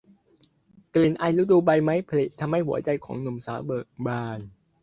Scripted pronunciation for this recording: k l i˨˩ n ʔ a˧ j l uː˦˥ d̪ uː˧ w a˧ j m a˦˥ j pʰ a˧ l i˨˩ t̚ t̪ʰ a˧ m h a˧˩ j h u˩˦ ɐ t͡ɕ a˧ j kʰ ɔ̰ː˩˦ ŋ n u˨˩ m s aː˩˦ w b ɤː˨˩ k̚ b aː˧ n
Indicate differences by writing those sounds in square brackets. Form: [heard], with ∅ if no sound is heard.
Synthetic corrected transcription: k l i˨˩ n ʔ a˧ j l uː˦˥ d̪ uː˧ [b] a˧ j m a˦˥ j pʰ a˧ l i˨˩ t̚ t̪ʰ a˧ m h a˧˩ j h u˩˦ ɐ t͡ɕ a˧ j kʰ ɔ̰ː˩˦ ŋ n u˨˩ m s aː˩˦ w b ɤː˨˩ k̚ b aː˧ n